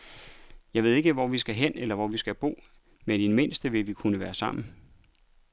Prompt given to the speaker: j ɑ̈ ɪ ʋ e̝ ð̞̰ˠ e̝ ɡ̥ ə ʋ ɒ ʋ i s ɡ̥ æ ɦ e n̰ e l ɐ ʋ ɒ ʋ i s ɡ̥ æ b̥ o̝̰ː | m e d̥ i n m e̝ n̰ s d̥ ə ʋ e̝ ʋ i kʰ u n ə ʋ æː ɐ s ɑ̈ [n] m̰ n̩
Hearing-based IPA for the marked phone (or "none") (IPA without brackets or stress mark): none